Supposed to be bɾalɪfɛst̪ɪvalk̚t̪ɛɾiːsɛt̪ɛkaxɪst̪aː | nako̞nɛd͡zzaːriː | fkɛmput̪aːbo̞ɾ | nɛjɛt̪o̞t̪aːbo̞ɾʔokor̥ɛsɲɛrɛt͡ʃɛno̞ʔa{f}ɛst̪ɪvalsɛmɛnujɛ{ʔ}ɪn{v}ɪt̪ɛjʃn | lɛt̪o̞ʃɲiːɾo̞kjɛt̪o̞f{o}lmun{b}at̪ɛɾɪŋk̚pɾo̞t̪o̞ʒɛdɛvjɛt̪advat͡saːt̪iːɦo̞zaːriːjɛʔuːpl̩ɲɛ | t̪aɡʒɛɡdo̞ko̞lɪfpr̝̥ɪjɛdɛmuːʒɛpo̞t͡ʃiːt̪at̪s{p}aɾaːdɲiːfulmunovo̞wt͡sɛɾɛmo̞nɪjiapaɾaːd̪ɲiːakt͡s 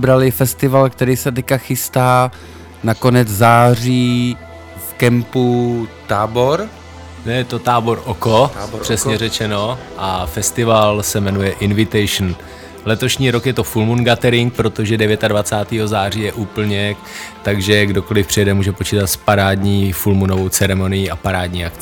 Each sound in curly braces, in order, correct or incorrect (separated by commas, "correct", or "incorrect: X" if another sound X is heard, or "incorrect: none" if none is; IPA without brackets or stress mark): correct, correct, correct, incorrect: u, incorrect: ɡ, correct